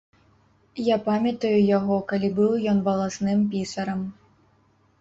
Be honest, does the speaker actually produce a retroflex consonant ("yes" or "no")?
no